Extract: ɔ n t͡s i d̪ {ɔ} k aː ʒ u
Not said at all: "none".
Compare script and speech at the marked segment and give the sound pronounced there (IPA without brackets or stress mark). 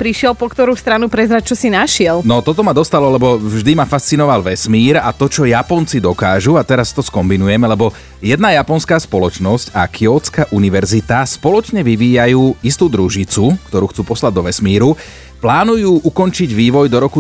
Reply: ɔ